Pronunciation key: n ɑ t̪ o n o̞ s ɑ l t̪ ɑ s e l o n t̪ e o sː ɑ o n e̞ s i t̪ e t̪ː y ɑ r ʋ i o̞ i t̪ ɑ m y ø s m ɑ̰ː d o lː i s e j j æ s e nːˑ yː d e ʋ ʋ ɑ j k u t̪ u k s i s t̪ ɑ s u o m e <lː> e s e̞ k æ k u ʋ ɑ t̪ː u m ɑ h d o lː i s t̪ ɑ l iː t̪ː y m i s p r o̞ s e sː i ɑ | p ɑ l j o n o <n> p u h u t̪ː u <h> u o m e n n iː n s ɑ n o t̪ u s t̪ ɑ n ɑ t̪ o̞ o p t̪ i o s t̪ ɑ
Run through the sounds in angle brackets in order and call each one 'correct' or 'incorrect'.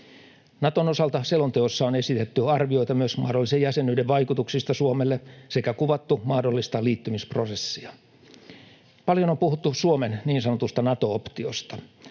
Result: correct, incorrect: m, incorrect: s

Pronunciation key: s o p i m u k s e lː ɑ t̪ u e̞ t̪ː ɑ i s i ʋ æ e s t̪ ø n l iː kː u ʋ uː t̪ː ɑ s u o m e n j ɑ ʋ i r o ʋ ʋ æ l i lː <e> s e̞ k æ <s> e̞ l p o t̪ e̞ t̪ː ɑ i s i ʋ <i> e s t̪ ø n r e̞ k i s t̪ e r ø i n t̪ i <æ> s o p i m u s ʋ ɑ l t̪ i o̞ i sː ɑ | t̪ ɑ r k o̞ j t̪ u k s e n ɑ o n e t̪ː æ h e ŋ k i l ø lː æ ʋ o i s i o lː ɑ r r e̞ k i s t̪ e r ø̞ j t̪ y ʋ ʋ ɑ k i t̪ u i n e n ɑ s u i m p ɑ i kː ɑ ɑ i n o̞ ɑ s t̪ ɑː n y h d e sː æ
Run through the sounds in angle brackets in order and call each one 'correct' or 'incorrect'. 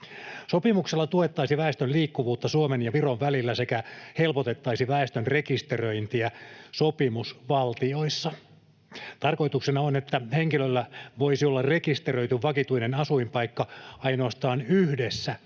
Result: incorrect: æ, incorrect: h, incorrect: æ, correct

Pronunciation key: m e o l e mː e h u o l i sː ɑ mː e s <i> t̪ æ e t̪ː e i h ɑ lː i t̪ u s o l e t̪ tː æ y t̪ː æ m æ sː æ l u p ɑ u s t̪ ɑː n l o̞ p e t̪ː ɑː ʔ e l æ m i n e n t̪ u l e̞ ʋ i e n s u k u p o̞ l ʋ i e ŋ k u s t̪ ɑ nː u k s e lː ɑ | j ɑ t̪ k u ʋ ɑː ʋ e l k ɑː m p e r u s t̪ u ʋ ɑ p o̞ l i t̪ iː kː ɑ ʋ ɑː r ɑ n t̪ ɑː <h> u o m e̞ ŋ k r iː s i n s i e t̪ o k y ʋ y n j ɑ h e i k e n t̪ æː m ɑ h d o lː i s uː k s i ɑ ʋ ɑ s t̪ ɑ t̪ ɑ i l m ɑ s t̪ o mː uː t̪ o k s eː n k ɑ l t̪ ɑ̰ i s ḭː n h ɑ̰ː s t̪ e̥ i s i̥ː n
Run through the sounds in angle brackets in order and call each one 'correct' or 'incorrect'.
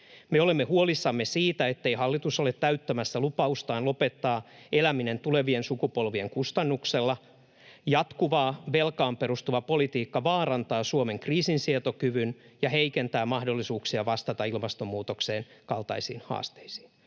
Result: incorrect: iː, incorrect: s

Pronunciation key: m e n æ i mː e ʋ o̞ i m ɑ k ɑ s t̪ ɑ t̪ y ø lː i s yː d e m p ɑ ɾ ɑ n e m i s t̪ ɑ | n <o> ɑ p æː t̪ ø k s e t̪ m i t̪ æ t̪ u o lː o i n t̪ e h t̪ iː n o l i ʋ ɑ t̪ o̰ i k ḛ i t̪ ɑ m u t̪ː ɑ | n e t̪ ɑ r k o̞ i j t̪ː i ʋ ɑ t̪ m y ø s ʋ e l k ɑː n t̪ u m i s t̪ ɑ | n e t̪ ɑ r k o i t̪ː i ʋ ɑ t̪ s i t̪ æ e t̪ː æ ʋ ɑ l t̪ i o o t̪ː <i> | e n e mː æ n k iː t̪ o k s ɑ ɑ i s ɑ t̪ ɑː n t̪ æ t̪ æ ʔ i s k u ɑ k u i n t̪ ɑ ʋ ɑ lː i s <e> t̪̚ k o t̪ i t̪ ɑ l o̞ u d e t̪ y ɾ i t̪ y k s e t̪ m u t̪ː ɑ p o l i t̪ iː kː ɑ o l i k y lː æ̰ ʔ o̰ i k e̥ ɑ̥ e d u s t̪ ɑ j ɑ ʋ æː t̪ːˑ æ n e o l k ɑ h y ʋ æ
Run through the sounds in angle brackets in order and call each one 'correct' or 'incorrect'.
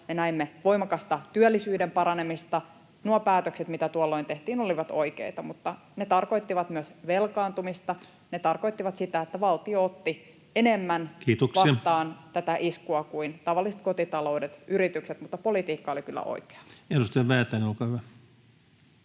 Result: incorrect: u, correct, correct

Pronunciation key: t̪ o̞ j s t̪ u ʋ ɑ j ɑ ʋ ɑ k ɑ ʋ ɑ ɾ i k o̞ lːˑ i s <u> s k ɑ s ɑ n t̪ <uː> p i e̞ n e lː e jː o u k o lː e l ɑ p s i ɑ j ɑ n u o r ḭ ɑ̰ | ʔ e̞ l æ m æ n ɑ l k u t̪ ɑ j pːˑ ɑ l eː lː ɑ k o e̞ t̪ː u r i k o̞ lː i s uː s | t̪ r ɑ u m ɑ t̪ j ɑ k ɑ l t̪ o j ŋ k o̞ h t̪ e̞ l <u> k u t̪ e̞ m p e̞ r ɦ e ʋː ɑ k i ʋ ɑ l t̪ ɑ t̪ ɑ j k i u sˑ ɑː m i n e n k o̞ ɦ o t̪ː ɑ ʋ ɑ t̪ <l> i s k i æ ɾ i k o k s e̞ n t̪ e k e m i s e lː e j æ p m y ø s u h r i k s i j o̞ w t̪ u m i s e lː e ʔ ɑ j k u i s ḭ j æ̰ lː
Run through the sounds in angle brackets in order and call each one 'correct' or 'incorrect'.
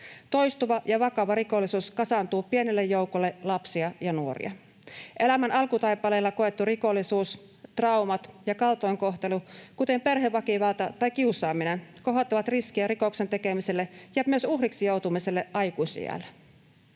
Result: incorrect: uː, correct, correct, incorrect: r

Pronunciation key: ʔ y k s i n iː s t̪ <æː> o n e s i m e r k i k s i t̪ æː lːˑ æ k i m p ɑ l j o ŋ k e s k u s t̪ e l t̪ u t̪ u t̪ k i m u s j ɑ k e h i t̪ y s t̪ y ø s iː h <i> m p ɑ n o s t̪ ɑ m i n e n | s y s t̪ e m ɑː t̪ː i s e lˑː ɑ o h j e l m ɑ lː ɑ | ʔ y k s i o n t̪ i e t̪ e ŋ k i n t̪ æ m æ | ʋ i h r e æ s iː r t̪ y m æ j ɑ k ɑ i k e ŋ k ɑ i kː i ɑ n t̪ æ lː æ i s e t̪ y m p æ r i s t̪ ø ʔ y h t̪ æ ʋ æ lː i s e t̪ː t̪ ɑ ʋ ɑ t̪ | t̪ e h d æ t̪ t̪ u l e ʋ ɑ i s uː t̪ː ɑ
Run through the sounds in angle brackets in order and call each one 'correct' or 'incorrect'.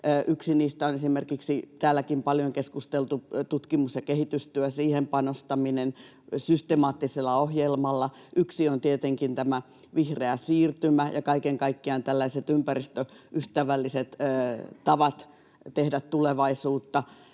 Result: incorrect: æ, incorrect: e

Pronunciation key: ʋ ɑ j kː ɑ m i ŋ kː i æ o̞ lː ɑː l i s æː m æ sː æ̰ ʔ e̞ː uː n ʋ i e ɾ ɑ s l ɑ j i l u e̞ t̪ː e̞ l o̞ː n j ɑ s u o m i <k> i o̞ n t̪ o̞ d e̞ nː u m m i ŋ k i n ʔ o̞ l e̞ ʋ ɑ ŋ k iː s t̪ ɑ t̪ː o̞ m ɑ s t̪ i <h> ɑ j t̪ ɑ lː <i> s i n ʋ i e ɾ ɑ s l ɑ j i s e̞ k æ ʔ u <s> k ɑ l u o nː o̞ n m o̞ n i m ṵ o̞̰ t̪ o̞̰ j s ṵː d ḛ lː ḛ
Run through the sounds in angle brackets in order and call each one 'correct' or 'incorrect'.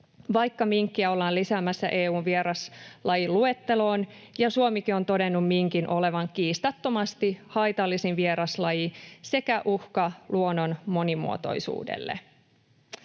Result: correct, correct, correct, incorrect: h

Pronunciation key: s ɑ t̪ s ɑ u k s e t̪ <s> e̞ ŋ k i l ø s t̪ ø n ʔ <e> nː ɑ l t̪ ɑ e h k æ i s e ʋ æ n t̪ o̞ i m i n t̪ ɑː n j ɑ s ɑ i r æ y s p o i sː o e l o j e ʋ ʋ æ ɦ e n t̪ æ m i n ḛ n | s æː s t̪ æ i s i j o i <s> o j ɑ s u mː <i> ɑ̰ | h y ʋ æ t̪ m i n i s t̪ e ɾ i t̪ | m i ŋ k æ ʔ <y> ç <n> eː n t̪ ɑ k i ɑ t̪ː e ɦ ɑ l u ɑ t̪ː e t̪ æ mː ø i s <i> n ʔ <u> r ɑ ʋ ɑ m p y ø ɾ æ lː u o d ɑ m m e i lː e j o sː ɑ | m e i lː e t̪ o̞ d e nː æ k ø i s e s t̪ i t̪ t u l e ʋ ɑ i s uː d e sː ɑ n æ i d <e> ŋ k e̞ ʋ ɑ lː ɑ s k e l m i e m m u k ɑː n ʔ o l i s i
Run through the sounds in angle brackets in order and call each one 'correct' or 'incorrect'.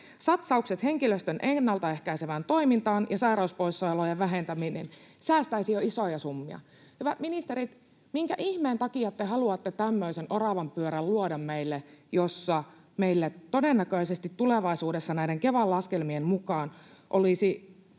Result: incorrect: h, correct, correct, correct, incorrect: i, incorrect: m, incorrect: e, incorrect: o, correct

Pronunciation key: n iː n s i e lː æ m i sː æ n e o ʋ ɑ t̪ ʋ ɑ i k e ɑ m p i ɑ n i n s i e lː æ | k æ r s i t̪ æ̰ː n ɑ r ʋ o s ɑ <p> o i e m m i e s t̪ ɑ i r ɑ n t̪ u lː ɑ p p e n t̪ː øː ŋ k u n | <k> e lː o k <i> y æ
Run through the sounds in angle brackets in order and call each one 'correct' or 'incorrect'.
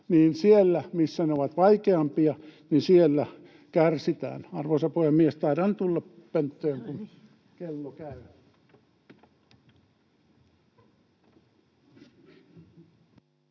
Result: correct, correct, incorrect: æ

